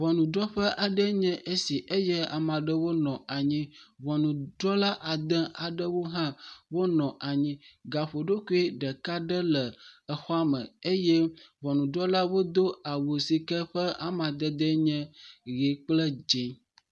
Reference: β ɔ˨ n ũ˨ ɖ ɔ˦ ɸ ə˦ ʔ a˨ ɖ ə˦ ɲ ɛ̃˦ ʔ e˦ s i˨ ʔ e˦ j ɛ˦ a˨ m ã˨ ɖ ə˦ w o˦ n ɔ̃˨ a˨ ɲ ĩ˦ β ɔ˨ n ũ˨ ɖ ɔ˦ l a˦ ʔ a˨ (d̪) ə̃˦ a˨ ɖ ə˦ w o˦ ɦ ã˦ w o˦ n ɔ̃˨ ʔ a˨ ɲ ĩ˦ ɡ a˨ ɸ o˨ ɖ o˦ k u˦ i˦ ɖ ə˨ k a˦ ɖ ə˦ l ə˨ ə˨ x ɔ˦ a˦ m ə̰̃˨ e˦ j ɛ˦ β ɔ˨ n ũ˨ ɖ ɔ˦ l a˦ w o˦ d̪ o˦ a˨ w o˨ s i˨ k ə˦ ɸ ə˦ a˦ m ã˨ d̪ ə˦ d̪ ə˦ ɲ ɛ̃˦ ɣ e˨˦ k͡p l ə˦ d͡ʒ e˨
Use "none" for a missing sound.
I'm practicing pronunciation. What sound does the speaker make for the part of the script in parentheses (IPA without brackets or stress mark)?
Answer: d̪